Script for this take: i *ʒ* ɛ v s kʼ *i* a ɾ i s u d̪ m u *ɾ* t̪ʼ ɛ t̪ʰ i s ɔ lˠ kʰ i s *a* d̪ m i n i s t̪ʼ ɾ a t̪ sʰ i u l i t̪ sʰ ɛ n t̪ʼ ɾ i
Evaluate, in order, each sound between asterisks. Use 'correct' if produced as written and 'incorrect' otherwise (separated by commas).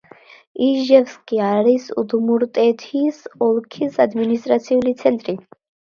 correct, correct, correct, correct